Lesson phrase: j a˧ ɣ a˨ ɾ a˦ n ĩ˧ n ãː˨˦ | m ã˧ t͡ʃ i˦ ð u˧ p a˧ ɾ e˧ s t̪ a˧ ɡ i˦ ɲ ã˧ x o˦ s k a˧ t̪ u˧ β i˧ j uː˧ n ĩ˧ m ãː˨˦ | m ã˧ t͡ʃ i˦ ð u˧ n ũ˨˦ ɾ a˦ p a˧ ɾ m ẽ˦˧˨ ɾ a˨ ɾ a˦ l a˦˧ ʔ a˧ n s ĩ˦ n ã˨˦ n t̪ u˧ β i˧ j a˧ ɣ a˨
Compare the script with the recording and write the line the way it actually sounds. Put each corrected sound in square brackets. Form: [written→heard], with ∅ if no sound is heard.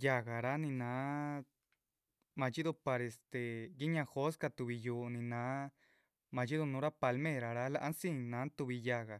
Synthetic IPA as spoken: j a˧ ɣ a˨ ɾ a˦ n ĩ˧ n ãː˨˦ | m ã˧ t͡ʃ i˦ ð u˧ p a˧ ɾ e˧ s t̪ [a˧→e˧] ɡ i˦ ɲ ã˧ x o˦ s k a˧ t̪ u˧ β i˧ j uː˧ n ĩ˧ [m→n] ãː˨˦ | m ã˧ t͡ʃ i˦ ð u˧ n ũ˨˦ ɾ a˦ p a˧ [ɾ→l] m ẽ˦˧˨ ɾ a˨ ɾ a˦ l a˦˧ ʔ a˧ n s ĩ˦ n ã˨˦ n t̪ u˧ β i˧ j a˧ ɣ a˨

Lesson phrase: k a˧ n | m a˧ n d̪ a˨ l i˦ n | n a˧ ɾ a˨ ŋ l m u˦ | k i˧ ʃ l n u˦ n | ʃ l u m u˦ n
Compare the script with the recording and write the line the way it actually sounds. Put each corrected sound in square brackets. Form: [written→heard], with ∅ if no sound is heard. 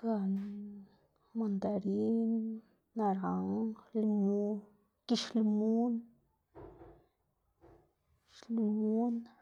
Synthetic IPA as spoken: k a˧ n | m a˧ n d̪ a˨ [l→ɾ] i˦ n | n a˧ ɾ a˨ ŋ l m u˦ | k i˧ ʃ l [n→m] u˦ n | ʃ l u m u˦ n

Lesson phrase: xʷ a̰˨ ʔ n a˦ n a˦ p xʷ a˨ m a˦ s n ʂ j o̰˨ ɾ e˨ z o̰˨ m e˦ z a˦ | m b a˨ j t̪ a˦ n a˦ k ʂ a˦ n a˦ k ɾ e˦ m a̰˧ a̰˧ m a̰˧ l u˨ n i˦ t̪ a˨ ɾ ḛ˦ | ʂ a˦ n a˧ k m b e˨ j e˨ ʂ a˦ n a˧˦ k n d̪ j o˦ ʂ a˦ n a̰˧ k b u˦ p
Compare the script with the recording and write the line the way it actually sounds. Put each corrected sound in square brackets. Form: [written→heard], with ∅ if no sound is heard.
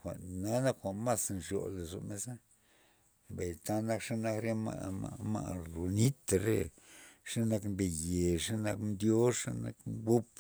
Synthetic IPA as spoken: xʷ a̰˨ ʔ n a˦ n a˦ [p→k] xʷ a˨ m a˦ s n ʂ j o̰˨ [ɾ→l] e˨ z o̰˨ m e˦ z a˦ | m b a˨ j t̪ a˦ n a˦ k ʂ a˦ n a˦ k ɾ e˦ m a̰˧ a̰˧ m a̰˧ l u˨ n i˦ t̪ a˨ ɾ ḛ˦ | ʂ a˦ n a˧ k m b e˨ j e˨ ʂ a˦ n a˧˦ k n d̪ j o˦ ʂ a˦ n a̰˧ k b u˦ p

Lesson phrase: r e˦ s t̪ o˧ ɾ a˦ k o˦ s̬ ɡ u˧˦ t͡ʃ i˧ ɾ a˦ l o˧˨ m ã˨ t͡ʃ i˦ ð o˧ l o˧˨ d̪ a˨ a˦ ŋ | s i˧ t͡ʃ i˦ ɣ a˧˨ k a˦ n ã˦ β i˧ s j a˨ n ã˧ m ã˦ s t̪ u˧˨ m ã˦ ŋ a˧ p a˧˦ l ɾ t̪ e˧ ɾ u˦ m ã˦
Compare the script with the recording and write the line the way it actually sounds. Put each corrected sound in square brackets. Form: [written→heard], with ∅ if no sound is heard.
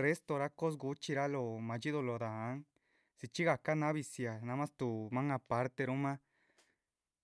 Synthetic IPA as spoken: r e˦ s t̪ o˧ ɾ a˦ k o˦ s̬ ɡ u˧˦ t͡ʃ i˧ ɾ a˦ l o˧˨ m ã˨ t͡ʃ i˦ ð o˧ l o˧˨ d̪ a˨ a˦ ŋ | s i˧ t͡ʃ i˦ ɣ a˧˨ k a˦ n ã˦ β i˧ s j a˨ n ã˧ m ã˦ s t̪ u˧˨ m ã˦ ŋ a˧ p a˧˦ [l→∅] ɾ t̪ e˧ ɾ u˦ m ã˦

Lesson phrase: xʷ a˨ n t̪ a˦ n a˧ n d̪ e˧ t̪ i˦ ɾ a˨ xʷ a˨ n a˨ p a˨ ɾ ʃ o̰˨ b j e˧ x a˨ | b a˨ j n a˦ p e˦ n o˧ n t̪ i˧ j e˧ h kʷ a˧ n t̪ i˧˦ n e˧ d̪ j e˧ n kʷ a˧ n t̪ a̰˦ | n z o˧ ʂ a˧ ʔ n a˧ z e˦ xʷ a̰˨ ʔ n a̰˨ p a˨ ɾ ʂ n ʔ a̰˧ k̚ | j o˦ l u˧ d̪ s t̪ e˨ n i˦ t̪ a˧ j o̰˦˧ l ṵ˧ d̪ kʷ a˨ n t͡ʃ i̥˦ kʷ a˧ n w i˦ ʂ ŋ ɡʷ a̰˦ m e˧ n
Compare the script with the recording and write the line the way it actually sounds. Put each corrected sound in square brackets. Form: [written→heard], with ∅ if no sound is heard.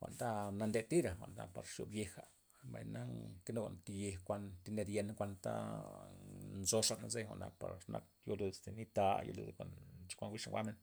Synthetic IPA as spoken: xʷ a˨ n t̪ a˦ n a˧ n d̪ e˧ t̪ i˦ ɾ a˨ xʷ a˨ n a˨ p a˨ ɾ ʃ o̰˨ b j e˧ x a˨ | b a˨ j n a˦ [p→k] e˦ n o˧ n t̪ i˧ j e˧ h kʷ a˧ n t̪ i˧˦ n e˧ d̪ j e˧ n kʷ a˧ n t̪ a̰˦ | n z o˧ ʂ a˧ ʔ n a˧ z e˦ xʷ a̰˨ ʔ n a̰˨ p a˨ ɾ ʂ n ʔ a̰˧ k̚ | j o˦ l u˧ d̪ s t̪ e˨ n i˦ t̪ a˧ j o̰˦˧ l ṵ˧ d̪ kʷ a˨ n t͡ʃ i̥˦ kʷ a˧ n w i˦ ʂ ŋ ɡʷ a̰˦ m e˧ n

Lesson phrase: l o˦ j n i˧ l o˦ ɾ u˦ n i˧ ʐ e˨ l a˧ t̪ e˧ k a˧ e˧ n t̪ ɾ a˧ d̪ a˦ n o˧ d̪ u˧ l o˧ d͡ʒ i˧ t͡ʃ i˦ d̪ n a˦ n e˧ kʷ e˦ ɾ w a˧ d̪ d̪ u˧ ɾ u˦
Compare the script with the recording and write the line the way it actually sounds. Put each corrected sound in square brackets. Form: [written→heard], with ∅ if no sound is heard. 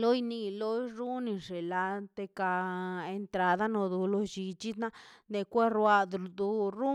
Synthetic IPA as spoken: l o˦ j n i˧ l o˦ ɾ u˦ n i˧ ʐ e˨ l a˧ t̪ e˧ k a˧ e˧ n t̪ ɾ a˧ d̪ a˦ n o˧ d̪ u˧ l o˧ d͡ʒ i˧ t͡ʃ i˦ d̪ n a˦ n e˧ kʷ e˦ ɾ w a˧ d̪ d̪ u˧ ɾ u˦

